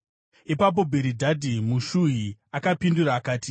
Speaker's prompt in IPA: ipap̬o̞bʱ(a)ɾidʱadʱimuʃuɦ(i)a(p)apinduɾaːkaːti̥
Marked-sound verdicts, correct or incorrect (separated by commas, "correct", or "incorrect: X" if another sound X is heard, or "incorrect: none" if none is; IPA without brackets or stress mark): incorrect: e, correct, incorrect: k